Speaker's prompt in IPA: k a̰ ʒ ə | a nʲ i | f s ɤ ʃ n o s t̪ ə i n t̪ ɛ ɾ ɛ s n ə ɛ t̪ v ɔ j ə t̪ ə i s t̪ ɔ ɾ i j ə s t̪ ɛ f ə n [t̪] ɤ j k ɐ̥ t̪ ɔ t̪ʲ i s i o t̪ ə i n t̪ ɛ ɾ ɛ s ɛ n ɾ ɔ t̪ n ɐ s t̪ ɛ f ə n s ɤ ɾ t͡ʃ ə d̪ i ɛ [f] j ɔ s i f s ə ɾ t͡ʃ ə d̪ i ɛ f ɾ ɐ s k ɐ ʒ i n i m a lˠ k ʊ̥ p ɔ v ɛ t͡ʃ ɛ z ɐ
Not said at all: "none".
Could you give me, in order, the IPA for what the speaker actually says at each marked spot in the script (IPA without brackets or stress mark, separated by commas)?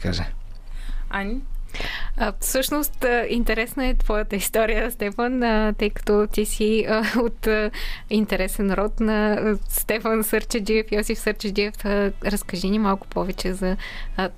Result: t̪, f